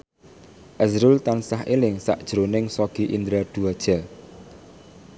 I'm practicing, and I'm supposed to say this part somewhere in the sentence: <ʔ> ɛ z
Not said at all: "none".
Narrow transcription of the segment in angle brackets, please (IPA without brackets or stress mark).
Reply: ʔ